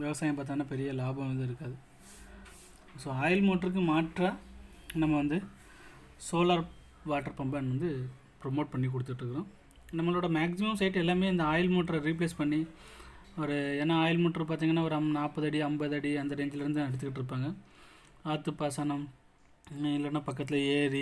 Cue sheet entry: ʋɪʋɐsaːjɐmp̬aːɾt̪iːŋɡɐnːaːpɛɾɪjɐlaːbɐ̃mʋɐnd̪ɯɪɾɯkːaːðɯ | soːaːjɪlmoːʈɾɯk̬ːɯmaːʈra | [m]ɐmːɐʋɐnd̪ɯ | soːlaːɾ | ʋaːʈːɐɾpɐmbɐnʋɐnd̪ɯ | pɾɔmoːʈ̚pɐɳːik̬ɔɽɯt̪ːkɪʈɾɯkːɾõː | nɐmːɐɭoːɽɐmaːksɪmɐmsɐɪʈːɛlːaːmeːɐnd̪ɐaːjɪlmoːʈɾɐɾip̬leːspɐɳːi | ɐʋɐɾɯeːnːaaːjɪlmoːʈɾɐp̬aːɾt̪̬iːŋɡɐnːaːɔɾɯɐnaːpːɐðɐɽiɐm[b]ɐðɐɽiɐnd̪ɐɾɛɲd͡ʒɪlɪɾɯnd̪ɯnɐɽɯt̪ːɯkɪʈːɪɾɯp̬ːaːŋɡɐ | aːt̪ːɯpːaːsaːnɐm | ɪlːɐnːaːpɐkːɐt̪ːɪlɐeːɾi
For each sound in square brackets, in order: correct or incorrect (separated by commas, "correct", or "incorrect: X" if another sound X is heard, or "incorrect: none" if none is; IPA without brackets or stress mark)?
incorrect: n, correct